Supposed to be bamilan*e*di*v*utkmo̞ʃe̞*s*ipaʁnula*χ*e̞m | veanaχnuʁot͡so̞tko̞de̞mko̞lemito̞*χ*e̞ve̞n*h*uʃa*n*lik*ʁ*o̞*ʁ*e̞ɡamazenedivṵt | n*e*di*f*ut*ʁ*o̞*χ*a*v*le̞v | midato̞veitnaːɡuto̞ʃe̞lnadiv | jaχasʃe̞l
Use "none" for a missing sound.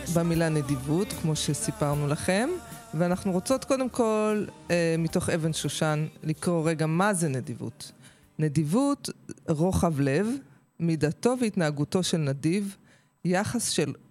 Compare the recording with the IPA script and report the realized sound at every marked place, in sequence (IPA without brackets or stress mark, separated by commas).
e, v, s, χ, χ, ʃ, n, ʁ, ʁ, e, v, ʁ, χ, v